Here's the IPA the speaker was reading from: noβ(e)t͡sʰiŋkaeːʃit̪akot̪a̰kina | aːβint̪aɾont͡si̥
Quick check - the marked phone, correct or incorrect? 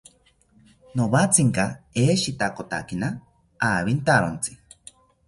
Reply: incorrect